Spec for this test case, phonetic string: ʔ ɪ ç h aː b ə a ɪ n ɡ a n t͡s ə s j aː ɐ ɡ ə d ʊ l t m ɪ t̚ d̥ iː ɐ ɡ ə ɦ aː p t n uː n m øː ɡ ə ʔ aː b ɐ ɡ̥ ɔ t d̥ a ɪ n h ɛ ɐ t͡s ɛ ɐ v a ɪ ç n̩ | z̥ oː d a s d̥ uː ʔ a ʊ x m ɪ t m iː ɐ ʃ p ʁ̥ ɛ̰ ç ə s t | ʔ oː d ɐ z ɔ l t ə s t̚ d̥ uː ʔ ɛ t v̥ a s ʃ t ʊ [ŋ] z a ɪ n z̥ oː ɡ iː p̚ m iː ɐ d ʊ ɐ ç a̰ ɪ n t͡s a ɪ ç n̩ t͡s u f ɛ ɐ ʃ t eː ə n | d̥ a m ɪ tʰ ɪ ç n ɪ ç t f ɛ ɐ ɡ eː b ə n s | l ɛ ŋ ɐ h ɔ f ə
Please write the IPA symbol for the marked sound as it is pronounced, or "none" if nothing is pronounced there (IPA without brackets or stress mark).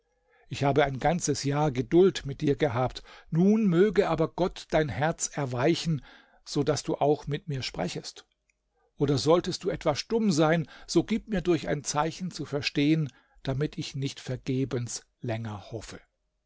m